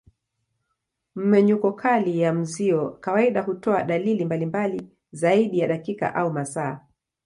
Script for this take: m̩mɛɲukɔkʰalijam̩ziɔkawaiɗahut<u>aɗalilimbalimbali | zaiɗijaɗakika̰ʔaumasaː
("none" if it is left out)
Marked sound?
ɔ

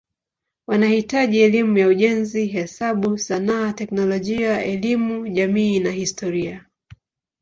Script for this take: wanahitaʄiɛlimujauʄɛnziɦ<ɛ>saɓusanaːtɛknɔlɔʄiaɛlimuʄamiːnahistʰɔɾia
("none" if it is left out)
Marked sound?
ɛ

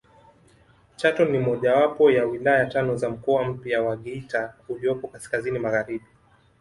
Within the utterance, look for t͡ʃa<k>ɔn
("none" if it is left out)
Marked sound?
t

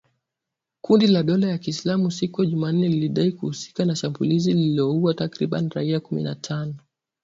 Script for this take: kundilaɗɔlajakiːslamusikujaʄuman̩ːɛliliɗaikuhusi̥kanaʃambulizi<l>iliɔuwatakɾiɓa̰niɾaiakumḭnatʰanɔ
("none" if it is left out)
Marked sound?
l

